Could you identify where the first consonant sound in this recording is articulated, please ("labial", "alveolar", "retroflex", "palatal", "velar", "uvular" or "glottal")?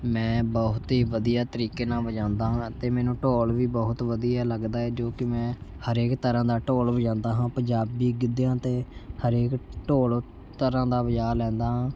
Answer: labial